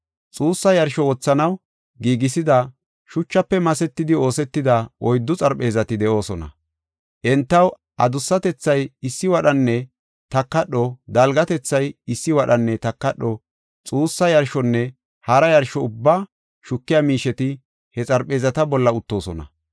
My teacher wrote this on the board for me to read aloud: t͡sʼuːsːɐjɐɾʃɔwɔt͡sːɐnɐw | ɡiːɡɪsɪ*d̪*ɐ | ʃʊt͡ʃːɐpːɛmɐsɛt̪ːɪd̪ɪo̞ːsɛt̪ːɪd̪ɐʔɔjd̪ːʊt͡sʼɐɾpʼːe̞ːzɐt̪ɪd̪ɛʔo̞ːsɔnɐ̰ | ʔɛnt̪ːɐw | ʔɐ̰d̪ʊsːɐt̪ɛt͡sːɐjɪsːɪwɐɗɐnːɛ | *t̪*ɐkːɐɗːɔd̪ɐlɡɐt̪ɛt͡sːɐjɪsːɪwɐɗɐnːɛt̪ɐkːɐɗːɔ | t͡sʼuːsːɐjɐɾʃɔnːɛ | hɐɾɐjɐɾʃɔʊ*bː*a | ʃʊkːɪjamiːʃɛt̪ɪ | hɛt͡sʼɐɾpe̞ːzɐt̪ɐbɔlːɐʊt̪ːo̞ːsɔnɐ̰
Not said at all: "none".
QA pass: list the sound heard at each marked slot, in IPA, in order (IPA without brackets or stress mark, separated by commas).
d̪, t̪, bː